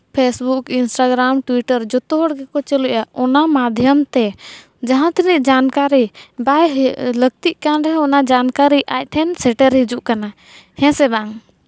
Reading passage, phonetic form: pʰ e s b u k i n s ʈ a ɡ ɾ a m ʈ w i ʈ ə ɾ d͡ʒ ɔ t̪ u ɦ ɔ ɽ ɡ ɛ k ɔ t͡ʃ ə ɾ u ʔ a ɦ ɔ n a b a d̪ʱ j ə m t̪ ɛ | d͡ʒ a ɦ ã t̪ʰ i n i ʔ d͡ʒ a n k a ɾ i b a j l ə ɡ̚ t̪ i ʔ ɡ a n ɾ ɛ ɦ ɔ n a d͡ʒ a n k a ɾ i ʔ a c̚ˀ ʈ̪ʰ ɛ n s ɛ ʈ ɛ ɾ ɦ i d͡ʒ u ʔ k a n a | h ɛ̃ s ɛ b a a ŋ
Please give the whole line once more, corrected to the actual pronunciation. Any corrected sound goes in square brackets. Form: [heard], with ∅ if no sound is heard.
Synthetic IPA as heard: pʰ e s b u k i n s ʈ a ɡ ɾ a m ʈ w i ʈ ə ɾ d͡ʒ ɔ t̪ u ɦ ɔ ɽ ɡ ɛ k ɔ t͡ʃ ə [l] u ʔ a [∅] ɔ n a [m] a d̪ʱ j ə m t̪ ɛ | d͡ʒ a ɦ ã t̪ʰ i n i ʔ d͡ʒ a n k a ɾ i b a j l ə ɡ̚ t̪ i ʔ [k] a n ɾ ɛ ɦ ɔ n a d͡ʒ a n k a ɾ i ʔ a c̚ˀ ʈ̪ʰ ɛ n s ɛ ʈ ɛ ɾ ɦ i d͡ʒ u ʔ k a n a | h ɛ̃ s ɛ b a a ŋ